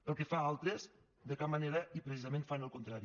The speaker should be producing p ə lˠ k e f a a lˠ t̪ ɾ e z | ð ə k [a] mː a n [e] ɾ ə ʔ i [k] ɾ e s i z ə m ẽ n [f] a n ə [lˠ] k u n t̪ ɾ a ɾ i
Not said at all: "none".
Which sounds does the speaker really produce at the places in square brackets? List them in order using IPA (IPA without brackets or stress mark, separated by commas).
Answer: a, e, p, f, lˠ